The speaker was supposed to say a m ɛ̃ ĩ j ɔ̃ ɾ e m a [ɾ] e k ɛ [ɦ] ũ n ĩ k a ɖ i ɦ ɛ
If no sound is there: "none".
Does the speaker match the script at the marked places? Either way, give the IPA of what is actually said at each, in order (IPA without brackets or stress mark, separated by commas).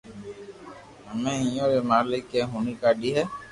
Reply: l, ɦ